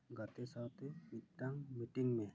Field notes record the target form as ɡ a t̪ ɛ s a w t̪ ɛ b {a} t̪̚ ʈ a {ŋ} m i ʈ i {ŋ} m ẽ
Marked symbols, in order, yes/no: no, yes, yes

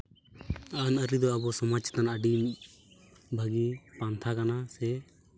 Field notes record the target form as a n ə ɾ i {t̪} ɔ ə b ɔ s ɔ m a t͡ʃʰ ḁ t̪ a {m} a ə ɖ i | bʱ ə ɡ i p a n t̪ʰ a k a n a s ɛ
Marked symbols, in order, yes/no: no, no

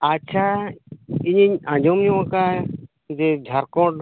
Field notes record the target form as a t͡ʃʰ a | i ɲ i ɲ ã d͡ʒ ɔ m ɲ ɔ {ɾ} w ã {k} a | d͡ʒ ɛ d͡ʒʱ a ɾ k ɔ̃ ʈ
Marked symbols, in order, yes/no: no, yes

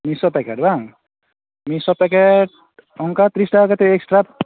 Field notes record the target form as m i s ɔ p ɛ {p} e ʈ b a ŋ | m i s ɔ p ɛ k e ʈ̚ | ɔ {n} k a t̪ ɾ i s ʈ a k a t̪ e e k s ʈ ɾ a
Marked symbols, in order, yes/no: no, no

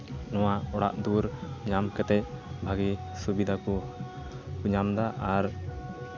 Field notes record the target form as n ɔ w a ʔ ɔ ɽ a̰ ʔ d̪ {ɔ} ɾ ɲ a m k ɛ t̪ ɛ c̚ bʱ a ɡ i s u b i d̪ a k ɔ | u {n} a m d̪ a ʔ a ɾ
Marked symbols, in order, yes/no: no, no

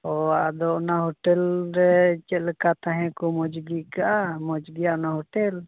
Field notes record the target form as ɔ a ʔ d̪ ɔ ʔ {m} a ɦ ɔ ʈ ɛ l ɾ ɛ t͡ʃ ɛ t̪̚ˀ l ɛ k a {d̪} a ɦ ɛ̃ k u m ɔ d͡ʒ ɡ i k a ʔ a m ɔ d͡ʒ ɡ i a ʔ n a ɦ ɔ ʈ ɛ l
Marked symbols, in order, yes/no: no, no

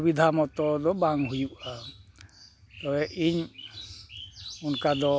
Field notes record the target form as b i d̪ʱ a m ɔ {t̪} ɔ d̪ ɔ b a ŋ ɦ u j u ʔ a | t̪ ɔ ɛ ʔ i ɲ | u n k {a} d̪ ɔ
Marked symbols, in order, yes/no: yes, yes

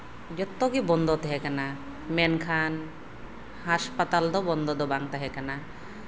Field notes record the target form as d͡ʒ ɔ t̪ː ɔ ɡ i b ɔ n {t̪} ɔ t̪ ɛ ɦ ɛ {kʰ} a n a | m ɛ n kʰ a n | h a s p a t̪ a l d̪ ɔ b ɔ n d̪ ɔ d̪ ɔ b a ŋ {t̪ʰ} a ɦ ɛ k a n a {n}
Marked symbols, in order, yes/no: no, no, no, no

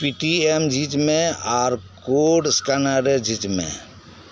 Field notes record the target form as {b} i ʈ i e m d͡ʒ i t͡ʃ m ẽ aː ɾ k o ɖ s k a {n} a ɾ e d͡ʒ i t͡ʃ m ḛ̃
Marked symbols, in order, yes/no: no, yes

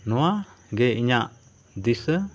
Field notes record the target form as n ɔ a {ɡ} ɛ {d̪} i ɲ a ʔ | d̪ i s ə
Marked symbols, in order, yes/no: yes, no

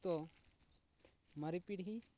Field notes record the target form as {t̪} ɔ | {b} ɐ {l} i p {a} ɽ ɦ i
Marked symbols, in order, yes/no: yes, no, no, no

